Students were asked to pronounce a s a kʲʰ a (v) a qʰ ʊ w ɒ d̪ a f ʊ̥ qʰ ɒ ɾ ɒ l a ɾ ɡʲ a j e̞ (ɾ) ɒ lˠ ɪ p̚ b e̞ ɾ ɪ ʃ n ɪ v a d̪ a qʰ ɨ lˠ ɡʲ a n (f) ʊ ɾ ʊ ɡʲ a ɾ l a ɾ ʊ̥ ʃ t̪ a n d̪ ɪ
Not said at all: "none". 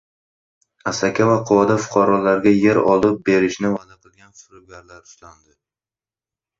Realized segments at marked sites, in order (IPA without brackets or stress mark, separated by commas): v, ɾ, f